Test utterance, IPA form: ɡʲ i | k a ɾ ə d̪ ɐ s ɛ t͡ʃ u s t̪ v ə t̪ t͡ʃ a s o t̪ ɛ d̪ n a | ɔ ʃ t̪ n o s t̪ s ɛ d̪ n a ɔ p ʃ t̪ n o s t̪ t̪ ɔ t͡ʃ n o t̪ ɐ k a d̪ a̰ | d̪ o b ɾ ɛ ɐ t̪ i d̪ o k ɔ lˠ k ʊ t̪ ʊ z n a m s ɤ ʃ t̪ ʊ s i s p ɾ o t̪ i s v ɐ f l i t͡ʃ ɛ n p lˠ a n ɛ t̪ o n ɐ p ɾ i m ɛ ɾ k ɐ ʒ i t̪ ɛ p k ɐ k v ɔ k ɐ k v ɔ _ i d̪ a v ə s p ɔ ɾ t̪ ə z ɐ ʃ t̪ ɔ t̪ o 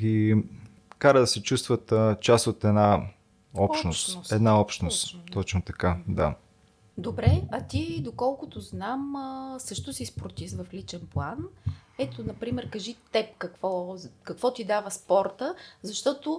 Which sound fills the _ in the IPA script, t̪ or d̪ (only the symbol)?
t̪